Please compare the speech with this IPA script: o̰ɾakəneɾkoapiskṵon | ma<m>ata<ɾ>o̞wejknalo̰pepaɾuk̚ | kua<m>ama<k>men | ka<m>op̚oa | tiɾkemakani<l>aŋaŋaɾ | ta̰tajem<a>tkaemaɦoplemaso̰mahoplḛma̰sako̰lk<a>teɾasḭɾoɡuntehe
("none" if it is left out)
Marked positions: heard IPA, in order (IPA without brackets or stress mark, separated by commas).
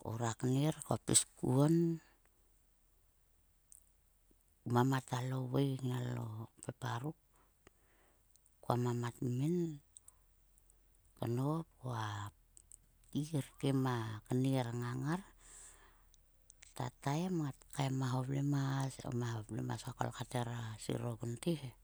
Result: m, l, m, t, n, ɾ, a, a